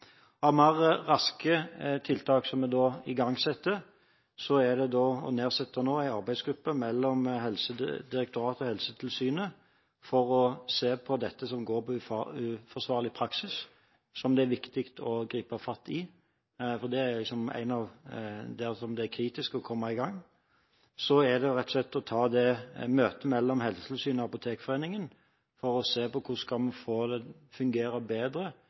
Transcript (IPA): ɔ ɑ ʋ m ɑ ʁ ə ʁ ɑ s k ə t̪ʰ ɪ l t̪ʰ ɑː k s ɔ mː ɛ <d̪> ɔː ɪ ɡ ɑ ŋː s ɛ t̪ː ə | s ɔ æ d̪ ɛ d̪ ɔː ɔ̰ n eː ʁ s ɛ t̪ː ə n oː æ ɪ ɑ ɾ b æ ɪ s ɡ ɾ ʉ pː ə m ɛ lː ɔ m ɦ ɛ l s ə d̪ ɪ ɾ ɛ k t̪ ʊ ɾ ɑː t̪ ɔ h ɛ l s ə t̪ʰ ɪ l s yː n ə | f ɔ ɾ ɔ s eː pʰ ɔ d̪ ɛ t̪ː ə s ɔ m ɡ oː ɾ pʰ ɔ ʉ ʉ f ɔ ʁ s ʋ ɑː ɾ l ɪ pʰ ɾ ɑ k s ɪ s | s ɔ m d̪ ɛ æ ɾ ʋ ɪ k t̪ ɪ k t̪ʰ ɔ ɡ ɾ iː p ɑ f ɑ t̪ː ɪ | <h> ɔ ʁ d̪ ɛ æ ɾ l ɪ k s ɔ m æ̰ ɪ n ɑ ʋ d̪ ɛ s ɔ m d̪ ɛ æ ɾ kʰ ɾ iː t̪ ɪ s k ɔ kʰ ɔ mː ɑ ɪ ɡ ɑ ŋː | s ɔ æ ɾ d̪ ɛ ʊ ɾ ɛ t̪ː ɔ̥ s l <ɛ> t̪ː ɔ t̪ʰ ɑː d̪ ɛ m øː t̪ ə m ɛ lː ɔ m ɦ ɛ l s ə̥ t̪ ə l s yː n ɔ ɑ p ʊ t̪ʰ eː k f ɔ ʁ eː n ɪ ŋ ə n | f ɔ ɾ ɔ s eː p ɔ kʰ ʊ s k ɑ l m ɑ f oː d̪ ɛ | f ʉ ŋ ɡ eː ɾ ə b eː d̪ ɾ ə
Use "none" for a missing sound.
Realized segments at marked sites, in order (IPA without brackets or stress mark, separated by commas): d̪, f, ɛ